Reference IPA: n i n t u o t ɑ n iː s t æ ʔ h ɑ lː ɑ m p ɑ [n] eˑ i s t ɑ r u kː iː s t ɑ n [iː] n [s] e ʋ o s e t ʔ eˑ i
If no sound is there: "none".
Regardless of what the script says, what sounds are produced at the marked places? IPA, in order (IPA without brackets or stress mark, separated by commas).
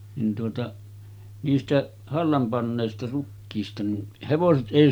nː, i, h